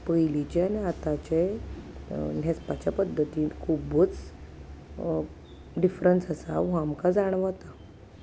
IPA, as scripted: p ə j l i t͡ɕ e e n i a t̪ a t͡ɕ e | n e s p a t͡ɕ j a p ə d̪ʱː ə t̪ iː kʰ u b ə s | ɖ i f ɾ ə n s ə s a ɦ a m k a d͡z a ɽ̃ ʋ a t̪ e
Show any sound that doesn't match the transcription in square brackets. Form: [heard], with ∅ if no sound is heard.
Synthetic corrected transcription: p ə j l i t͡ɕ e [a] n i a t̪ a t͡ɕ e | n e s p a t͡ɕ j a p ə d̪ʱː ə t̪ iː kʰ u b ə [t͡s] | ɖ i f ɾ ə n s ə s a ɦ a m k a d͡z a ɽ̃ ʋ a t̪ [a]